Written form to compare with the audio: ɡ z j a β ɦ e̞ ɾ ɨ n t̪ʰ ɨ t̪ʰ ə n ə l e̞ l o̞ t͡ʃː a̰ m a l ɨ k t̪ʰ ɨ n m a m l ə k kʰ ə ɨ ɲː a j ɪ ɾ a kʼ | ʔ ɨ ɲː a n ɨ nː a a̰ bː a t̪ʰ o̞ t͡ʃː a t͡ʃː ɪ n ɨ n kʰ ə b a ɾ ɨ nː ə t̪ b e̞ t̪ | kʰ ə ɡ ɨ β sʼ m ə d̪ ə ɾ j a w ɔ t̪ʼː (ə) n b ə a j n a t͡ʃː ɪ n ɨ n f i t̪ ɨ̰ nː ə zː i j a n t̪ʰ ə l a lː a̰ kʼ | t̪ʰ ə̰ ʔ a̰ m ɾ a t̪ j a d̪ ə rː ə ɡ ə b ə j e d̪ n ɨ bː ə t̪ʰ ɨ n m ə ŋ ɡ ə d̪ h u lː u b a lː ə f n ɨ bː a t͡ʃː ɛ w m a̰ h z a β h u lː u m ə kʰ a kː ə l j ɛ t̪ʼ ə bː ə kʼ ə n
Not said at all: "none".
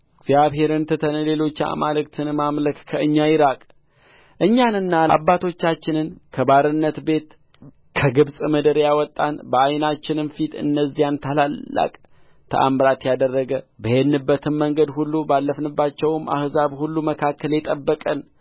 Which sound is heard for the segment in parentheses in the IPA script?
a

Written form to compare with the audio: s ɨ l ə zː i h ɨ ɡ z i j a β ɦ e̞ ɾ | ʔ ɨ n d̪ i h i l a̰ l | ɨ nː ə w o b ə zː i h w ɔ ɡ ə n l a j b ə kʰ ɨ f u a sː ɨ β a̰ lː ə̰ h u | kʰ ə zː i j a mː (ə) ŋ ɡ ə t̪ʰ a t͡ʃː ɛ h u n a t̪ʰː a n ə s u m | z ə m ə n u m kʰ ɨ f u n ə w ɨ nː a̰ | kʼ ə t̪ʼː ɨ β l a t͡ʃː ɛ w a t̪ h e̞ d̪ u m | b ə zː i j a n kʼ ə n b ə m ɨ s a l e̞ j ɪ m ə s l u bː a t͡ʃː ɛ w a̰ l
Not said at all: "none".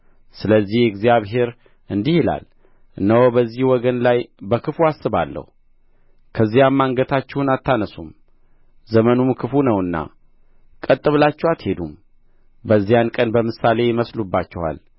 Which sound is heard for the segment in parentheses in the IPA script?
a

